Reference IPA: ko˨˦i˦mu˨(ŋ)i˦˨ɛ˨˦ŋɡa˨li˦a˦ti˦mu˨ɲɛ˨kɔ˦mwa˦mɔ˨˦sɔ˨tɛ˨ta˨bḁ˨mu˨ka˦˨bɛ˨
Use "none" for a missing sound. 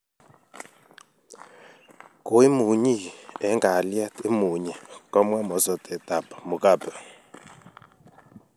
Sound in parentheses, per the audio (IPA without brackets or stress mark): ɲ